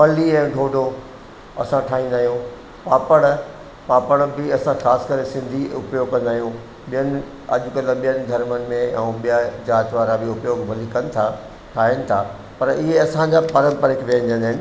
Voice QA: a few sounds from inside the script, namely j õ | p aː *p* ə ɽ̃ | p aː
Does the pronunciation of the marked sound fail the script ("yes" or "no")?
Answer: no